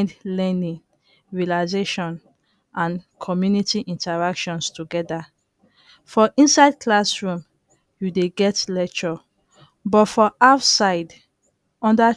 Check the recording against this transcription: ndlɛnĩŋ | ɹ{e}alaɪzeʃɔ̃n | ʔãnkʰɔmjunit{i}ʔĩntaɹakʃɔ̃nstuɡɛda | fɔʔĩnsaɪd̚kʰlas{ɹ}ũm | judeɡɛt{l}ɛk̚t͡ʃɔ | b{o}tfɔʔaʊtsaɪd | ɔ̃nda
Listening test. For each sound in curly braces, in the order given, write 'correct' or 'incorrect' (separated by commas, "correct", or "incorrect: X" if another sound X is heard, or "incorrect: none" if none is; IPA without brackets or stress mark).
incorrect: i, correct, correct, correct, incorrect: ɔ